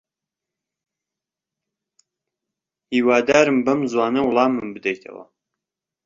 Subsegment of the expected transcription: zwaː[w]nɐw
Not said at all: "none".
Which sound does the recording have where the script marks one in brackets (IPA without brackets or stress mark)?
none